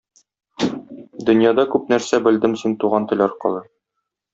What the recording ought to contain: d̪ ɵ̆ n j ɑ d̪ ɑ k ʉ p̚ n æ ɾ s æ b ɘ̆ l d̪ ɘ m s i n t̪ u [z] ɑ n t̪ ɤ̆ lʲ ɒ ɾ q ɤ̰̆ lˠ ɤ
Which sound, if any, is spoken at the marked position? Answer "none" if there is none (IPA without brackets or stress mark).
ʁ